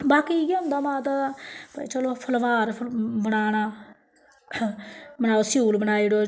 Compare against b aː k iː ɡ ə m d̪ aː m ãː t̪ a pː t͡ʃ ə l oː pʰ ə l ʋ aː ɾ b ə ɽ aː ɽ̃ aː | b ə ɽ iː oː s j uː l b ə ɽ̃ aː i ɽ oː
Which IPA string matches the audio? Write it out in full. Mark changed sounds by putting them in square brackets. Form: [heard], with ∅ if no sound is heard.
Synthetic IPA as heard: b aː k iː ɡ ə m d̪ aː m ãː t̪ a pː t͡ʃ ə l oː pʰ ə l ʋ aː ɾ b ə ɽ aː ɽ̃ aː | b ə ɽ [aː] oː s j uː l b ə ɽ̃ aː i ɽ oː